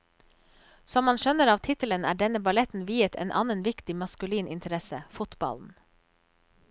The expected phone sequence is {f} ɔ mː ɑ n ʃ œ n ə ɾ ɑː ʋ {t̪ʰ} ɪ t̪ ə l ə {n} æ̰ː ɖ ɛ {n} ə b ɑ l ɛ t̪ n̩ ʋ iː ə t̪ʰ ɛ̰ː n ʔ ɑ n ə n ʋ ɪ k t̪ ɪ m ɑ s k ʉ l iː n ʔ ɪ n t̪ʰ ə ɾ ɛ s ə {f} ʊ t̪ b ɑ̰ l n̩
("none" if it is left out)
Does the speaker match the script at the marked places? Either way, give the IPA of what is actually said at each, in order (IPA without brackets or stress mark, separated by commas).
s, t̪ʰ, n, n, f